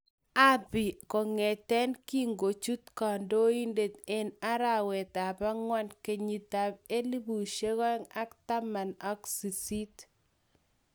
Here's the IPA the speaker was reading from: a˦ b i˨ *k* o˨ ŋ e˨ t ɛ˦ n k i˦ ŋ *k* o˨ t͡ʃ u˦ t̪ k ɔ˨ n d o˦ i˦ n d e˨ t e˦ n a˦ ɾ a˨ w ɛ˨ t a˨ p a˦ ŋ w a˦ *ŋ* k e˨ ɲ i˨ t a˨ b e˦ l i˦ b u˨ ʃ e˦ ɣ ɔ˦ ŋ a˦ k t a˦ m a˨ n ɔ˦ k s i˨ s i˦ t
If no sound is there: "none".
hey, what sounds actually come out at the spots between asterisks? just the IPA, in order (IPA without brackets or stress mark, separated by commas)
k, ɡ, n